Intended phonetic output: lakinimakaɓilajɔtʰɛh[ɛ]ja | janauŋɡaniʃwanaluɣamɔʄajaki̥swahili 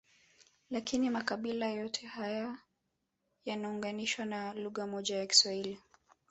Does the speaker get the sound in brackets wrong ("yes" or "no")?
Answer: yes